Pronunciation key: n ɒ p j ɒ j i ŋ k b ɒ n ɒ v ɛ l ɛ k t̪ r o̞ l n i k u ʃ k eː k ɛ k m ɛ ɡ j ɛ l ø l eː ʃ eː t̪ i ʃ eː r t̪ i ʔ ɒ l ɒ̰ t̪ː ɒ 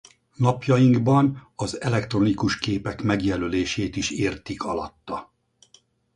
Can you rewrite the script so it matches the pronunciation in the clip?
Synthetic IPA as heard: n ɒ p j ɒ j i ŋ ɡ b ɒ n ɒ z ɛ l ɛ k t̪ r o̞ n i k u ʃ k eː p ɛ k m ɛ ɡ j ɛ l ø l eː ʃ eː t̪ i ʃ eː r t̪ i k ɒ l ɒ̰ t̪ː ɒ